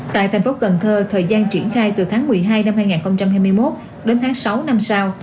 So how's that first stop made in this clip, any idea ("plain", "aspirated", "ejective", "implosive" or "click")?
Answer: plain